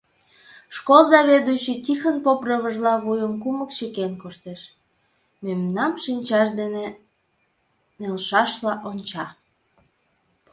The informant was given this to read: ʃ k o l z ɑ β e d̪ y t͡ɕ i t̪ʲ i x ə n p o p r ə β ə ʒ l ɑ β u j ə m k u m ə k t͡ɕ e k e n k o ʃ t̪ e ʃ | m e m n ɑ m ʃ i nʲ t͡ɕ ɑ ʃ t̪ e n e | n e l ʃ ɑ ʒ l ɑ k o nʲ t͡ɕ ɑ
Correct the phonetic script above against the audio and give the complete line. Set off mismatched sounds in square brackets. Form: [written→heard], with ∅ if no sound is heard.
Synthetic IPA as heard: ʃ k o l z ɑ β e d̪ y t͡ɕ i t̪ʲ i x ə n p o p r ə β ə ʒ l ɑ β u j ə m k u m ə k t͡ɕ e k e n k o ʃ t̪ e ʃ | m e m n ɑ m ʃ i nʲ t͡ɕ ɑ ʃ [t̪→d̪] e n e | n e l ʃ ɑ [ʒ→ʃ] l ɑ [k→ʔ] o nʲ t͡ɕ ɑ

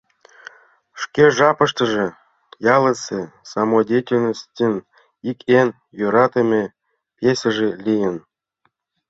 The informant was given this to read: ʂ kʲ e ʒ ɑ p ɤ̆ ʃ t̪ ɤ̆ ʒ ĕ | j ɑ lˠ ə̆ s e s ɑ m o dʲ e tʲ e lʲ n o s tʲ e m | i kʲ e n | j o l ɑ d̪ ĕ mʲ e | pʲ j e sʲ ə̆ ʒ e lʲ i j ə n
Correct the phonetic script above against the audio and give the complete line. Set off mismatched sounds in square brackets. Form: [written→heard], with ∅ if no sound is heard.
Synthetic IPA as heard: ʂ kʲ e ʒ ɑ p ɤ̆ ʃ t̪ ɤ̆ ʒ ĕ | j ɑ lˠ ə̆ s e s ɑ m o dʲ e tʲ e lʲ n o s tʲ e [m→n] | i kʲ e n | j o [l→ɾ] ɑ [d̪→t̪] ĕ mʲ e | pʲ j e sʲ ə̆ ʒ e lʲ i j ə n

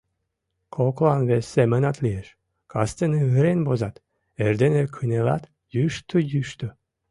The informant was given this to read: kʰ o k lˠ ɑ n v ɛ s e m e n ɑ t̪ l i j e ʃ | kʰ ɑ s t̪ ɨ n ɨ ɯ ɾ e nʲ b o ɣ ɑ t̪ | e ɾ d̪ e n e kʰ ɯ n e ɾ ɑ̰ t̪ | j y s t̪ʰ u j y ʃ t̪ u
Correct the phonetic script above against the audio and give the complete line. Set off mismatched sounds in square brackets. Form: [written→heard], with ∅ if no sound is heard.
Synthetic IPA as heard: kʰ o k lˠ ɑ n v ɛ s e m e n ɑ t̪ l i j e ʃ | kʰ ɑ s t̪ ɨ n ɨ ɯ ɾ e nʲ b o [ɣ→z] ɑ t̪ | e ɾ d̪ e n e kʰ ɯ n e [ɾ→l] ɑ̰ t̪ | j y [s→ʃ] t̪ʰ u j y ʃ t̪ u

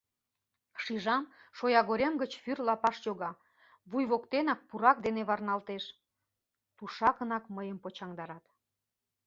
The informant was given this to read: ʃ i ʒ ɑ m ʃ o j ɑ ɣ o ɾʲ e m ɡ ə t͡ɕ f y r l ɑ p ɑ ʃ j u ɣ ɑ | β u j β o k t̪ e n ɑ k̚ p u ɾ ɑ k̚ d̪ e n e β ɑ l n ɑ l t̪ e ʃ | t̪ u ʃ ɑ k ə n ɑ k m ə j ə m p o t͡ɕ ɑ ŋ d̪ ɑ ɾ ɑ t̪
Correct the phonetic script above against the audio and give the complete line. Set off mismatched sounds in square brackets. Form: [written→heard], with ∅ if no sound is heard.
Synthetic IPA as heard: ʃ i ʒ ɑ m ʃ o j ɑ ɣ o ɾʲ e m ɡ ə t͡ɕ f y r l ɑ p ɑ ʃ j [u→o] ɣ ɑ | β u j β o k t̪ e n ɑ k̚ p u ɾ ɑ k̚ d̪ e n e β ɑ [l→r] n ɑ l t̪ e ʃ | t̪ u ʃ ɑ k ə n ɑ k m ə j ə m p o t͡ɕ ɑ ŋ d̪ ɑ ɾ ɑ t̪

